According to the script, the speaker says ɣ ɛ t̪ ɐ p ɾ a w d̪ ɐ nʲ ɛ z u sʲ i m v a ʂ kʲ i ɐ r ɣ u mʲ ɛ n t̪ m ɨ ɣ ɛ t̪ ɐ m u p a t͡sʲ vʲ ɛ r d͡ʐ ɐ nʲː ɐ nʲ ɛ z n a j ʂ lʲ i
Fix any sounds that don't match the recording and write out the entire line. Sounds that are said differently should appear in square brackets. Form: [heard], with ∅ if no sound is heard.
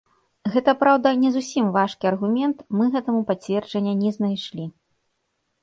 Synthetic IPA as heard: ɣ ɛ t̪ ɐ p ɾ a w d̪ ɐ nʲ ɛ z u sʲ i m v a ʂ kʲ i ɐ r ɣ u mʲ ɛ n t̪ m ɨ ɣ ɛ t̪ ɐ m u p a t͡sʲ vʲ ɛ r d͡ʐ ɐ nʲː ɐ nʲ ɛ z n a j ʂ lʲ i